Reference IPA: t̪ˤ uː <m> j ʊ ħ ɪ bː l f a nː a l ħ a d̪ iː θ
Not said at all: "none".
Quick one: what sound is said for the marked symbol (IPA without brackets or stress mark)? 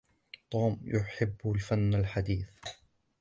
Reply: m